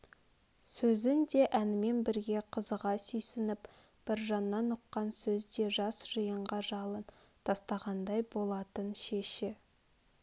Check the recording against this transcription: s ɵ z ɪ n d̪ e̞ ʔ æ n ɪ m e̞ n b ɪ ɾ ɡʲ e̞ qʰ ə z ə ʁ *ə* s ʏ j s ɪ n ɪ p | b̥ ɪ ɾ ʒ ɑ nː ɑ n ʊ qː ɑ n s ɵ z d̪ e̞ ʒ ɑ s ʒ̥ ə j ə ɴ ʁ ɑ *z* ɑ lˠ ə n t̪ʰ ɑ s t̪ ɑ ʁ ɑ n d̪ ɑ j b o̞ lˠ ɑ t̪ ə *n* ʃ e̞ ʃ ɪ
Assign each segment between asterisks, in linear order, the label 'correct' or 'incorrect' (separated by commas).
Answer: incorrect, incorrect, correct